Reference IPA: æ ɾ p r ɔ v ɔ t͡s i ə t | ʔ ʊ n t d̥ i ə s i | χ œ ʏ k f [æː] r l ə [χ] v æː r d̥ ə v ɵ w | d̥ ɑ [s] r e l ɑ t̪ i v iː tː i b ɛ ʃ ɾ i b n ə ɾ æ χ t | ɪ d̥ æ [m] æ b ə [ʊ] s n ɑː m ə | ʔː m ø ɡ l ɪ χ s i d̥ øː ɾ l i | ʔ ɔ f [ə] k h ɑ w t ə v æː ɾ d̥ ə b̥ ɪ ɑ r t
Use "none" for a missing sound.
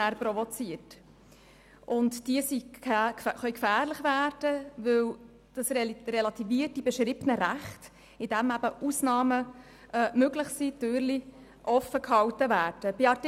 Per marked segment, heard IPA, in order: æː, χ, s, m, u, ə

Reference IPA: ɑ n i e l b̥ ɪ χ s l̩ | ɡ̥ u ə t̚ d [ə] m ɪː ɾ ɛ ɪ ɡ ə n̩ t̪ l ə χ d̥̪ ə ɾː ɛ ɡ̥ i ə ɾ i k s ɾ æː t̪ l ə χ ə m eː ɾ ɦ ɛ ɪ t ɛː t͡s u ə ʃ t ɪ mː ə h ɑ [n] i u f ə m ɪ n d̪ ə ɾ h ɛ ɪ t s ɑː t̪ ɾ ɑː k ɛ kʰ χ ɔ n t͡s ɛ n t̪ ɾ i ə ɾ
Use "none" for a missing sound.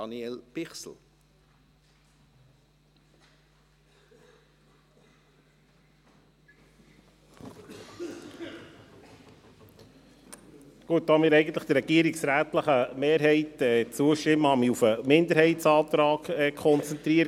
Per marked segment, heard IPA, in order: ɑ, m

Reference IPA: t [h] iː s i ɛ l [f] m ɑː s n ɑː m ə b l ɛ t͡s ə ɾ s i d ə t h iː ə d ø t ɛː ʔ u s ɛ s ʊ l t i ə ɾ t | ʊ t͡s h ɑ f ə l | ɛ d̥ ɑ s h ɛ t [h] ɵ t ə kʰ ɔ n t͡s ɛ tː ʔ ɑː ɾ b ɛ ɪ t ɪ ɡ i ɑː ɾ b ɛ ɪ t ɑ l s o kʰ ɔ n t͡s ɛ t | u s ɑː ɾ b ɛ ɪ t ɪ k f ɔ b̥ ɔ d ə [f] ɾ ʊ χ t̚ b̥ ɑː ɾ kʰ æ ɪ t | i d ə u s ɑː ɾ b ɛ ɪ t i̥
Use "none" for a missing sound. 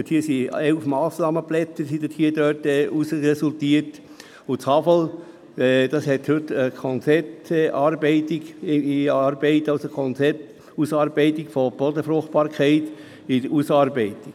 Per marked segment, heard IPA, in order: h, f, h, f

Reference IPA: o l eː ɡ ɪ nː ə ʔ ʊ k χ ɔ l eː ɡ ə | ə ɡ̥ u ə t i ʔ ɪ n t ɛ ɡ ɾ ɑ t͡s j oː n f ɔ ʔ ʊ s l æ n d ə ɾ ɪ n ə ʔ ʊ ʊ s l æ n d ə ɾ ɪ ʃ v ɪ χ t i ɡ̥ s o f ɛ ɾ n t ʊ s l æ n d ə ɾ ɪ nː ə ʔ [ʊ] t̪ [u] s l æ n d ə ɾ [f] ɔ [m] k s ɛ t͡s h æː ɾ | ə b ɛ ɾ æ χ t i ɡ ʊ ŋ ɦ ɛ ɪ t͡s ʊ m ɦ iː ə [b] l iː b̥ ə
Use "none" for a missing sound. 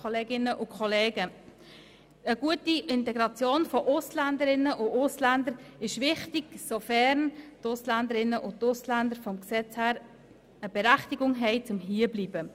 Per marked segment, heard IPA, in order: ʊ, ʊ, f, m, b

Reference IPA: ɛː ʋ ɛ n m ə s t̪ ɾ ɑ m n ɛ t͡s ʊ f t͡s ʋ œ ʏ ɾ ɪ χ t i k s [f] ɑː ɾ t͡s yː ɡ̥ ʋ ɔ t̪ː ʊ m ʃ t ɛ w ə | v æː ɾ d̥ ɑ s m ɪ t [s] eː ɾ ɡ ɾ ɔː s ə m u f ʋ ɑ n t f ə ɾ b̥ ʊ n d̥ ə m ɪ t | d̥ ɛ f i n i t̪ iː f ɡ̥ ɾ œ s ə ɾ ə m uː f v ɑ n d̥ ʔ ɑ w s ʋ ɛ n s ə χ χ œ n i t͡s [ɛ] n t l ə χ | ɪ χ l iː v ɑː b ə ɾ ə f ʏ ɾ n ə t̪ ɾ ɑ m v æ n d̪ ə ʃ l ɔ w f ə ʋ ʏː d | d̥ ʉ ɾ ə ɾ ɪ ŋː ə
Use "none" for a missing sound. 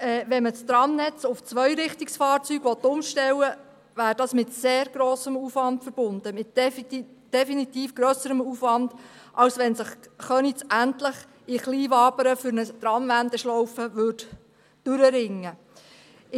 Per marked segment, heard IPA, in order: f, s, æ

